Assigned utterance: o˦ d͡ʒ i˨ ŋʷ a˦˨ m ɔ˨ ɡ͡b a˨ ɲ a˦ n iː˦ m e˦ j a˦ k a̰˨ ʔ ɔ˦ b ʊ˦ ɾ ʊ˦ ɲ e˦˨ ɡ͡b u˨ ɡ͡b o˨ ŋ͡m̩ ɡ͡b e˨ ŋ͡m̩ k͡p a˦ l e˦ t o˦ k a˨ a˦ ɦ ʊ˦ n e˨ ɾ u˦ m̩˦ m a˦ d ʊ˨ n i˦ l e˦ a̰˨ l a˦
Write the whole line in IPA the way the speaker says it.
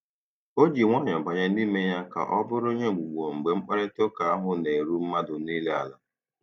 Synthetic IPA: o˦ d͡ʒ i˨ ŋʷ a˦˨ ɲ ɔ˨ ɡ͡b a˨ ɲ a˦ n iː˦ m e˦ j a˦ k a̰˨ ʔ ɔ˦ b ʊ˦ ɾ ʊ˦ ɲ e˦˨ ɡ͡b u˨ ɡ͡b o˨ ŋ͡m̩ ɡ͡b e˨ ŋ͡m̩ k͡p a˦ ɾ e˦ t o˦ k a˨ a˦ ɦ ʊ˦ n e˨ ɾ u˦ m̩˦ m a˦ d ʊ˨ n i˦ l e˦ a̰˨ l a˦